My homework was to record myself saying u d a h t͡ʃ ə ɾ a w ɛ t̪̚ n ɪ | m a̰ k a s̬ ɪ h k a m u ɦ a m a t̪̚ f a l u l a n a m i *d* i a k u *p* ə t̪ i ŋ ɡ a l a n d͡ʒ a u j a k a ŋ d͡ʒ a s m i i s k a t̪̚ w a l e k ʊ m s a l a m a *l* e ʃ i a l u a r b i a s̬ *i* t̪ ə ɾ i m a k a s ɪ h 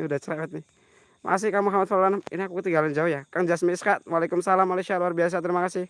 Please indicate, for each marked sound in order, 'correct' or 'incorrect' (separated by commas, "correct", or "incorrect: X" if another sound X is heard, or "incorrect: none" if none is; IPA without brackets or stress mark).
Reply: incorrect: n, incorrect: k, correct, incorrect: a